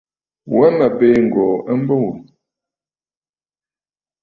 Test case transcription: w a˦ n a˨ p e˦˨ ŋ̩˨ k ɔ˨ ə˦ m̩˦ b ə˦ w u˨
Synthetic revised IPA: w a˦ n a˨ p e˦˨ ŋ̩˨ ɡ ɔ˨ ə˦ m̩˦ b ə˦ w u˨